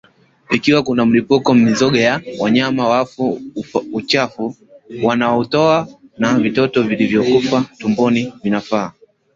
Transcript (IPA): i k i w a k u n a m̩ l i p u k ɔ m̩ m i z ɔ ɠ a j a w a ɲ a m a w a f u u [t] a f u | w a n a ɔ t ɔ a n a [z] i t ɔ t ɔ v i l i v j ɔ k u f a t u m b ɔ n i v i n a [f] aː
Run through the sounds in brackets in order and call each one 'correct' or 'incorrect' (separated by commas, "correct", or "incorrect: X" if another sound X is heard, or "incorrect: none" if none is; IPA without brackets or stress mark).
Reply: incorrect: t͡ʃ, incorrect: v, correct